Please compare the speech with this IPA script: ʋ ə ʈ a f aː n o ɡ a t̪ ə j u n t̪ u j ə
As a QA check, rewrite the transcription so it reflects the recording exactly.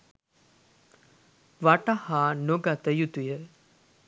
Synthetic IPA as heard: ʋ a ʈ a h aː n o ɡ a t̪ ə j u t̪ u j ə